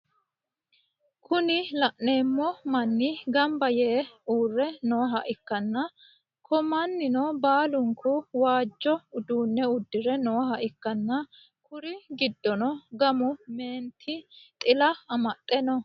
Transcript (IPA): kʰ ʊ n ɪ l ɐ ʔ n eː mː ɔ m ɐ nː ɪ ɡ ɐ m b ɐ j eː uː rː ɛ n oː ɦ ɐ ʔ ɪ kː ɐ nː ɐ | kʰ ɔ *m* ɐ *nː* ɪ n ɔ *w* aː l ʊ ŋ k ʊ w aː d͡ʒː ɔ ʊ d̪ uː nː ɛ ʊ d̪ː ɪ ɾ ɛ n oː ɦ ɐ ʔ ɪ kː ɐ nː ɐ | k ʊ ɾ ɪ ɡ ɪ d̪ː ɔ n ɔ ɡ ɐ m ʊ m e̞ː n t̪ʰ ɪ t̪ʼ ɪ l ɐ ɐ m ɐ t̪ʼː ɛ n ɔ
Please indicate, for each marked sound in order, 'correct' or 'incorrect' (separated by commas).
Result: correct, correct, incorrect